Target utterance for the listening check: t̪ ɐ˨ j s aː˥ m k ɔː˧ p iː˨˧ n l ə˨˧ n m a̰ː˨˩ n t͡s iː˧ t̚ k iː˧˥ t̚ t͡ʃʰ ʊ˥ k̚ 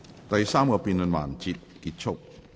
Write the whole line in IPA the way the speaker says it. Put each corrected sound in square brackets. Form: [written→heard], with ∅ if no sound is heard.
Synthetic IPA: t̪ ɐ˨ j s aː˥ m k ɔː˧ p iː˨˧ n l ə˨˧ n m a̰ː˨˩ n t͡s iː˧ t̚ k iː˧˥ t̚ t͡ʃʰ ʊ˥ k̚